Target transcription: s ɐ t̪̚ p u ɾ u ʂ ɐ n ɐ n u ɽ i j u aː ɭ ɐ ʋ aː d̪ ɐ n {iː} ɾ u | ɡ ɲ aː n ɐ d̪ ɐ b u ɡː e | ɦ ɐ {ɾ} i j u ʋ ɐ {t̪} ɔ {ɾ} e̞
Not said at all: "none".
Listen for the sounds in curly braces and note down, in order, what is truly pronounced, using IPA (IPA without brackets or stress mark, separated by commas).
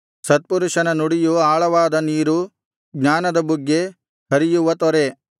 iː, ɾ, t̪, ɾ